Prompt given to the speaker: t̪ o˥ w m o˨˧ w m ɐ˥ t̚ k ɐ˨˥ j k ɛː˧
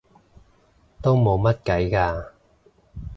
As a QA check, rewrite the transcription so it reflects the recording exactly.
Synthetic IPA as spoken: t̪ o˥ w m o˨˧ w m ɐ˥ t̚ k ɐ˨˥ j k aː˧